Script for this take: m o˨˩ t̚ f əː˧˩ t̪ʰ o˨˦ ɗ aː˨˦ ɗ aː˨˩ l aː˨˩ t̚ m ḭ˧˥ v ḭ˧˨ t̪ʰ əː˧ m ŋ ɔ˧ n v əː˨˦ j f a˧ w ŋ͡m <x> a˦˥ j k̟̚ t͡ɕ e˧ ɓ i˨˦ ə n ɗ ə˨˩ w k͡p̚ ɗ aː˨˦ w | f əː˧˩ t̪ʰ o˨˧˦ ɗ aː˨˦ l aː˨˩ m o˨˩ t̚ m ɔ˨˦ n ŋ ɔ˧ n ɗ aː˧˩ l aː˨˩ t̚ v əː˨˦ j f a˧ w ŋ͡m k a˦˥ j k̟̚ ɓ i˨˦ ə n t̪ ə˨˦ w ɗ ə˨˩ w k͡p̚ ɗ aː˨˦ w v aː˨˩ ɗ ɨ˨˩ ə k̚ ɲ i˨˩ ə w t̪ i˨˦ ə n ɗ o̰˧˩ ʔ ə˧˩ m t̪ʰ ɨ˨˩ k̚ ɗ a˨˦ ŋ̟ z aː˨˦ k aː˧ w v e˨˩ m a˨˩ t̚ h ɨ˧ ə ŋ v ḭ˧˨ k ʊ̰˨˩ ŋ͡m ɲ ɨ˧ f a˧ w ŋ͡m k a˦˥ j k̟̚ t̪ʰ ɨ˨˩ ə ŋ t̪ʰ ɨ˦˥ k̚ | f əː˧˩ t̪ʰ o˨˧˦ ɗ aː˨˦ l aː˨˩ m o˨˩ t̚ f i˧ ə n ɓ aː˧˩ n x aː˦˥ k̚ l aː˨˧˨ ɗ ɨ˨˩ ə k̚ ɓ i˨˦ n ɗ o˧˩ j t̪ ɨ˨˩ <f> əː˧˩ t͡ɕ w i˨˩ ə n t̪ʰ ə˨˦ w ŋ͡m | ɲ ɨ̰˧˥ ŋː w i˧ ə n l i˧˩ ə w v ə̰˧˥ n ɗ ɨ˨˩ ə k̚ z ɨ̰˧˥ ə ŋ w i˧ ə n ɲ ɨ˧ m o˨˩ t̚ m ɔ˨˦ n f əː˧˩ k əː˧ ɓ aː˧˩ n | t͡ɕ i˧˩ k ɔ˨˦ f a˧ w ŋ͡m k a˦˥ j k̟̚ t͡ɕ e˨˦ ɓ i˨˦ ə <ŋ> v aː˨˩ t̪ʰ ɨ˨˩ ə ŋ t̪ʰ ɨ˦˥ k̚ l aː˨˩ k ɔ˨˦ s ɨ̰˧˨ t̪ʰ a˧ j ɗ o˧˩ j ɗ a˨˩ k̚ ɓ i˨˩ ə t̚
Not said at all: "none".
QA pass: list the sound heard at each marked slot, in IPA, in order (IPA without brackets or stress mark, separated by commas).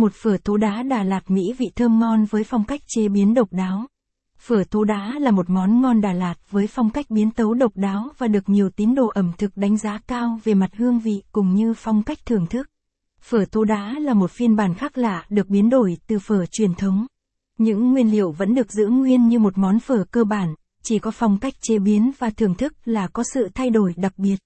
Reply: k, f, n